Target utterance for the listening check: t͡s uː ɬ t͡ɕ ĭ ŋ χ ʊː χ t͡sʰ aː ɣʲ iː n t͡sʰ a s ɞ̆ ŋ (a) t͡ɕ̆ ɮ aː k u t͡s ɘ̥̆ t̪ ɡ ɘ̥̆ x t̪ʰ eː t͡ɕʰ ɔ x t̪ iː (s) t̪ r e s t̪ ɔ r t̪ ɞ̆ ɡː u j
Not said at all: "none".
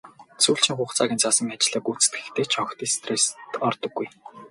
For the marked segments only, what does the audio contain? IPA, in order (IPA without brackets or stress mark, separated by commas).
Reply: a, s